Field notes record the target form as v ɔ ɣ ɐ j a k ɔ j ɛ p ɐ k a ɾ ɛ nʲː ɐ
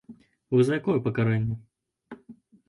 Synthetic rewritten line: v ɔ z ɐ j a k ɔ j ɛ p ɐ k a ɾ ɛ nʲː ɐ